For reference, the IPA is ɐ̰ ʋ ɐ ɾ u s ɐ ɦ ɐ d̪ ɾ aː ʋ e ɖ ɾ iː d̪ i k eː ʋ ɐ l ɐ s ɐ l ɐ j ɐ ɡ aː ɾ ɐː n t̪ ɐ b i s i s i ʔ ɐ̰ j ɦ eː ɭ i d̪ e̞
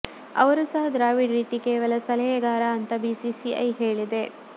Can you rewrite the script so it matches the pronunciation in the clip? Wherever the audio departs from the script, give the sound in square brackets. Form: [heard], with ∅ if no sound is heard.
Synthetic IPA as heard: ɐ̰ ʋ ɐ ɾ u s ɐ ɦ ɐ d̪ ɾ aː ʋ [i] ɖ ɾ iː [t̪] i k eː ʋ ɐ l ɐ s ɐ l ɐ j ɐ ɡ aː ɾ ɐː n t̪ ɐ b i s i s i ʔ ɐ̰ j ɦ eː ɭ i d̪ e̞